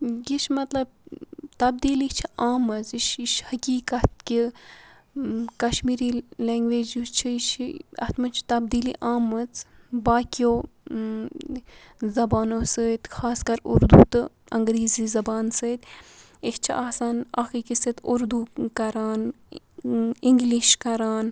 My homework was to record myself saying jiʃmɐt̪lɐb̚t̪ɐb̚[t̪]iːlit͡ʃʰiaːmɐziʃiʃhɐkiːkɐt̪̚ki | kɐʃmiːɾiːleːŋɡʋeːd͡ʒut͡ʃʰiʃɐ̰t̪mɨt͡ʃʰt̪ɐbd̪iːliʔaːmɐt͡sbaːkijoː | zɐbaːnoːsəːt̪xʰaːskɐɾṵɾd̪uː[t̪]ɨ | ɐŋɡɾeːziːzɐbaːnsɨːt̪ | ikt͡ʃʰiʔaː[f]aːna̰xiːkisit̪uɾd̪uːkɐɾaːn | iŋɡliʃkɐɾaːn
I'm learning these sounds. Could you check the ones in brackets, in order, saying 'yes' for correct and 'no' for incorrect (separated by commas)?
no, yes, no